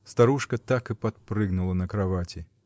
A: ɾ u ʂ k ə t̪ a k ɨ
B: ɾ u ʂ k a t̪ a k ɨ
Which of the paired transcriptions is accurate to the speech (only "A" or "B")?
A